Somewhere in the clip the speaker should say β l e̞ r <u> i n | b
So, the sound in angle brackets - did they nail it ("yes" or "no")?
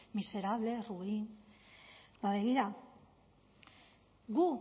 yes